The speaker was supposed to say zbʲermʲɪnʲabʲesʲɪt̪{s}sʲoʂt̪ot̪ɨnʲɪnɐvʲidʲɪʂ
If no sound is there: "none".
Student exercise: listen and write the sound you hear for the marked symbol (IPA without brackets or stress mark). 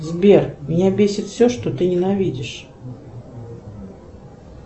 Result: f